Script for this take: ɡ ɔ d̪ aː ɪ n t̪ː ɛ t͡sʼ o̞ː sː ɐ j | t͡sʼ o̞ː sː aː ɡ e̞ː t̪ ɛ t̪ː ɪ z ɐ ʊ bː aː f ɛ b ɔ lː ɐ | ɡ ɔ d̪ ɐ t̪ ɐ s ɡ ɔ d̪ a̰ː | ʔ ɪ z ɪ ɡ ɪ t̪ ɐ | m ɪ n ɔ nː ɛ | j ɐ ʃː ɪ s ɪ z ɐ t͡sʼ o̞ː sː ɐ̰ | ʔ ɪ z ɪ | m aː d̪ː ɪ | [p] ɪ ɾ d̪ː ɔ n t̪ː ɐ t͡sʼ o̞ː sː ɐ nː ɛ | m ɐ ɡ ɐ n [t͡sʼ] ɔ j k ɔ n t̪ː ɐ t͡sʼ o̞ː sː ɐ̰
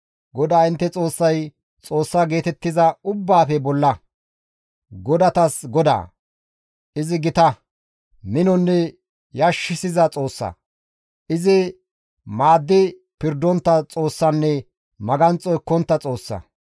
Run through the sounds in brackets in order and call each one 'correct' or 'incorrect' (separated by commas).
correct, correct